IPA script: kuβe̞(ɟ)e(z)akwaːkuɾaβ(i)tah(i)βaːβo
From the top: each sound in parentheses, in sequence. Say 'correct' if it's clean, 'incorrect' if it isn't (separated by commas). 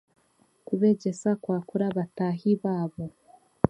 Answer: correct, incorrect, incorrect, correct